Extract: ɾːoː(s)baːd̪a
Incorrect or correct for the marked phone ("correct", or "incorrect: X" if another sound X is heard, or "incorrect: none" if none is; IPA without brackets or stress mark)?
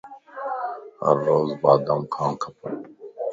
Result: incorrect: z